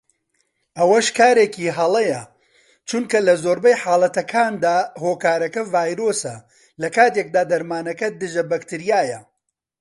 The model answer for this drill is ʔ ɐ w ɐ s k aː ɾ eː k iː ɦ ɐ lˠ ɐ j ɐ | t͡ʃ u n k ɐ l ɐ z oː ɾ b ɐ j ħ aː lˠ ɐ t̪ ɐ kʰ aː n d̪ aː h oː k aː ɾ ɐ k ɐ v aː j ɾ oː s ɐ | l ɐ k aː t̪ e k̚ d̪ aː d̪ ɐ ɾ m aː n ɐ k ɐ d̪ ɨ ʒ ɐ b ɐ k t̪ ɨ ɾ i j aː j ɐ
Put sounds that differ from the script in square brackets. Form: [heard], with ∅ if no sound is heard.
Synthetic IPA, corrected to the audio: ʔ ɐ w ɐ [ʃ] k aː ɾ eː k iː ɦ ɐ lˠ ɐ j ɐ | t͡ʃ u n k ɐ l ɐ z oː ɾ b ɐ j ħ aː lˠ ɐ t̪ ɐ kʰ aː n d̪ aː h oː k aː ɾ ɐ k ɐ v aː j ɾ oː s ɐ | l ɐ k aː t̪ e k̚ d̪ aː d̪ ɐ ɾ m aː n ɐ k ɐ d̪ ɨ ʒ ɐ b ɐ k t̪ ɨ ɾ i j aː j ɐ

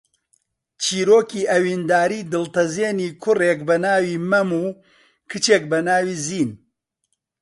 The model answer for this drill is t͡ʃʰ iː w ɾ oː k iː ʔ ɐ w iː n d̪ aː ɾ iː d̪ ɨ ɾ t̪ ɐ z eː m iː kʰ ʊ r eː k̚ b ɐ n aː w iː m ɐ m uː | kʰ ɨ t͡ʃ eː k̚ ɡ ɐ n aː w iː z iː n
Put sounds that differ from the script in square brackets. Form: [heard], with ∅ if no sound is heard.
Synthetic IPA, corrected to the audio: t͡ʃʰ iː [∅] ɾ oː k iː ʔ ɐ w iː n d̪ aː ɾ iː d̪ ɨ [l] t̪ ɐ z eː [n] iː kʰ ʊ r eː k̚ b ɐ n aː w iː m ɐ m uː | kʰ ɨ t͡ʃ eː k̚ [b] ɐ n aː w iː z iː n

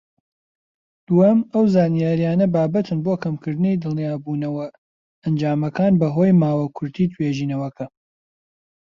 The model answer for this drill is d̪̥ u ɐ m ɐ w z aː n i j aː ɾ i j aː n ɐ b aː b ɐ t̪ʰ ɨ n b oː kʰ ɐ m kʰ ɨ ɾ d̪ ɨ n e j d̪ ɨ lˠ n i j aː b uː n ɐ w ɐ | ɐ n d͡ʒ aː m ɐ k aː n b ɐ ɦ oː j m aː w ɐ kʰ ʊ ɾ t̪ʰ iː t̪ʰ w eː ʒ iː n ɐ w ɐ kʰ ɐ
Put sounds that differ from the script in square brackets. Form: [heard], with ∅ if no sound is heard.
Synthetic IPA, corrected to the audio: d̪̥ u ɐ m ɐ w z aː n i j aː ɾ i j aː n ɐ b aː b ɐ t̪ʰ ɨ n b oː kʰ ɐ m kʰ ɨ ɾ d̪ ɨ n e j d̪ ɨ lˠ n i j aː b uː n ɐ w ɐ | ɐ n d͡ʒ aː m ɐ k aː n b ɐ ɦ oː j m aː w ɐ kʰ ʊ ɾ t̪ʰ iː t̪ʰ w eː ʒ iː n ɐ w ɐ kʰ ɐ

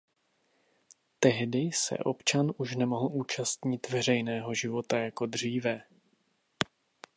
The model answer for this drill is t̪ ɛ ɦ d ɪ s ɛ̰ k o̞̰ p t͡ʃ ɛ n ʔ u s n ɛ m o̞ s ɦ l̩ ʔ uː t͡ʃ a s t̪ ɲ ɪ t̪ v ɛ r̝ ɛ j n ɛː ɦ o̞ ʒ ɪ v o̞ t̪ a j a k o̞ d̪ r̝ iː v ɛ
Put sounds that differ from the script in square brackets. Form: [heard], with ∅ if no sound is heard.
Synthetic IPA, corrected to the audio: t̪ ɛ ɦ d ɪ s ɛ̰ [ʔ] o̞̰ p t͡ʃ [a] n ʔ u [ʃ] n ɛ m o̞ [∅] ɦ l̩ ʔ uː t͡ʃ a s t̪ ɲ ɪ t̪ v ɛ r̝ ɛ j n ɛː ɦ o̞ ʒ ɪ v o̞ t̪ a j a k o̞ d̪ r̝ iː v ɛ

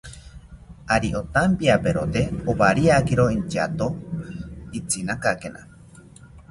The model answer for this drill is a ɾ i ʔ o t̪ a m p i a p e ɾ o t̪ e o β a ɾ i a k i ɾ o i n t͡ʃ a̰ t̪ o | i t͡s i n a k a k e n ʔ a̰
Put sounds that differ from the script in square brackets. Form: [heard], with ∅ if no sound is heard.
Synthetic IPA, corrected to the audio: a ɾ i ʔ o t̪ a m p i a p e ɾ o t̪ e o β a ɾ i a k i ɾ o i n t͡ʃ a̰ t̪ o | i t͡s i n a k a k e n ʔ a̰

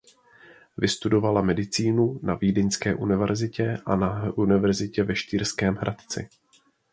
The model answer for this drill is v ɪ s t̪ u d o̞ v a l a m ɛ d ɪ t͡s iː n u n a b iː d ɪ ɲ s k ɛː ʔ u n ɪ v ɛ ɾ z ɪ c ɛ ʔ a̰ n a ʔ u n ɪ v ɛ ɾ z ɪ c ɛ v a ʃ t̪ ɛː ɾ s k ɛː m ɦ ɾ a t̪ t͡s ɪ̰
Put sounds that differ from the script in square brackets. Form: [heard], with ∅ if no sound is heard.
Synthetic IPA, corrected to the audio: v ɪ s t̪ u d o̞ v a l a m ɛ d ɪ t͡s iː n u n a [v] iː d ɪ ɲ s k ɛː ʔ u n ɪ v ɛ ɾ z ɪ c ɛ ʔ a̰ n a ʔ u n ɪ v ɛ ɾ z ɪ c ɛ v [ɛ] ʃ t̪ [iː] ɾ s k ɛː m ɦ ɾ a t̪ t͡s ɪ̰

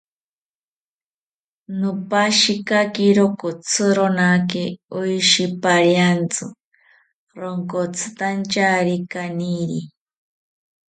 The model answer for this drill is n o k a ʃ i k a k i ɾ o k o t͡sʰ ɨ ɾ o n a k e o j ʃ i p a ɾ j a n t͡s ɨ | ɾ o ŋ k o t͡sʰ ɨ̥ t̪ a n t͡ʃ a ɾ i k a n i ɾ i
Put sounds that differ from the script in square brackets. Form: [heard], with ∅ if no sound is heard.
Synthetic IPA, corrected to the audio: n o [p] a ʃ i k a k i ɾ o k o t͡sʰ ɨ ɾ o n a k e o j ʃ i p a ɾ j a n t͡s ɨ | ɾ o ŋ k o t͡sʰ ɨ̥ t̪ a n t͡ʃ a ɾ i k a n i ɾ i

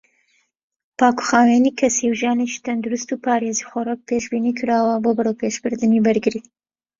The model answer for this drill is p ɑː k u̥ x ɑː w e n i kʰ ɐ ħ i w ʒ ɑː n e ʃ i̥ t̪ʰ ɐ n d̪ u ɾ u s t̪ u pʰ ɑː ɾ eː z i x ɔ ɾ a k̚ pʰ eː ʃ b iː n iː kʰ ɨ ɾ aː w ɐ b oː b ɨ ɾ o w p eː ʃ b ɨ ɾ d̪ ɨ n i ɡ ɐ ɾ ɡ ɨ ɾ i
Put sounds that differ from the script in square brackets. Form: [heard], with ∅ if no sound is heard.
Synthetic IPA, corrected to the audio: p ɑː k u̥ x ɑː w e n i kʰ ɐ [s] i w ʒ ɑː n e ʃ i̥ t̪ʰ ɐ n d̪ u ɾ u s t̪ u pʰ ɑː ɾ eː z i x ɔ ɾ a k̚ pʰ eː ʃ b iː n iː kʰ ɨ ɾ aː w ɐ b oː b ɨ ɾ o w p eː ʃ b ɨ ɾ d̪ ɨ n i [b] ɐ ɾ ɡ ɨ ɾ i

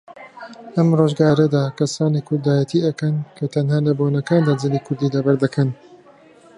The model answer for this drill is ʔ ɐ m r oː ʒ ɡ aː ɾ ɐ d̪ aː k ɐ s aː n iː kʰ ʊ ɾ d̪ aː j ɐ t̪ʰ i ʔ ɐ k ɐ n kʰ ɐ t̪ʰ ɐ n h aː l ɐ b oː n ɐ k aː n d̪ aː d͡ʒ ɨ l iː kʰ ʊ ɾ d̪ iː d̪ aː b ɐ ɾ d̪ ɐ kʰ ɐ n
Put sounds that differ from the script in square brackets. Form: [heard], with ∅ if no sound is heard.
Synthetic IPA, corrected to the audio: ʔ ɐ m r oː ʒ ɡ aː ɾ ɐ d̪ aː k ɐ s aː n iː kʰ ʊ ɾ d̪ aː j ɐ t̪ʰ i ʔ ɐ k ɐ n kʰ ɐ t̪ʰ ɐ n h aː l ɐ b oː n ɐ k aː n d̪ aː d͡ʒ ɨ l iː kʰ ʊ ɾ d̪ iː d̪ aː b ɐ ɾ d̪ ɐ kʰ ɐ n

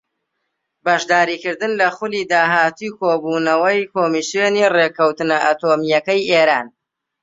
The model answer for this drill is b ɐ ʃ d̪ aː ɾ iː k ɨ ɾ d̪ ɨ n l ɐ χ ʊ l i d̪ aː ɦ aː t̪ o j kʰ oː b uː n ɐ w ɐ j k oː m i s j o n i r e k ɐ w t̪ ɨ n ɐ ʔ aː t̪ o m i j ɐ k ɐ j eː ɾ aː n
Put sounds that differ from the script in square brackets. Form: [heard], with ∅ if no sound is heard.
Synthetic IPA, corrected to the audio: b ɐ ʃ d̪ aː ɾ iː k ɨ ɾ d̪ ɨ n l ɐ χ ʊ l i d̪ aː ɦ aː t̪ [u] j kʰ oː b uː n ɐ w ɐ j k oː m i s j o n i r e k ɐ w t̪ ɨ n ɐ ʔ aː t̪ o m i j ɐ k ɐ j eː ɾ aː n

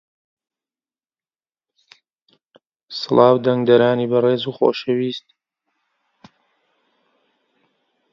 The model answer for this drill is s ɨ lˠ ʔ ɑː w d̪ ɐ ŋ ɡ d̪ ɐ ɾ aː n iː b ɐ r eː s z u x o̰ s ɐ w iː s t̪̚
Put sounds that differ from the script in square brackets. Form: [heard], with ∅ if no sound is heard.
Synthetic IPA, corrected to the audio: s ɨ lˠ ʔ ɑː w d̪ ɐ ŋ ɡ d̪ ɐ ɾ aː n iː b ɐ r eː [∅] z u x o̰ [ʃ] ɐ w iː s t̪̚

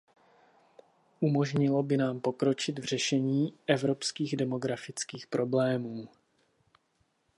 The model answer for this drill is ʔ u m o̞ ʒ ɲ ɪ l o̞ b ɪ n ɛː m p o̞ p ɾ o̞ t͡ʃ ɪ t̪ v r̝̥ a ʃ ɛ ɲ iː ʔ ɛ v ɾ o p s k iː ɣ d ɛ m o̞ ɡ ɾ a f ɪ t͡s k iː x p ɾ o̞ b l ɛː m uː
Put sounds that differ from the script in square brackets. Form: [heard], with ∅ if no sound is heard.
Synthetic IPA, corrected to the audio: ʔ u m o̞ ʒ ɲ ɪ l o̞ b ɪ n [aː] m p o̞ [k] ɾ o̞ t͡ʃ ɪ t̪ v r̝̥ [ɛ] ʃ ɛ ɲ iː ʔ ɛ v ɾ o p s k iː ɣ d ɛ m o̞ ɡ ɾ a f ɪ t͡s k iː x p ɾ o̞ b l ɛː m uː

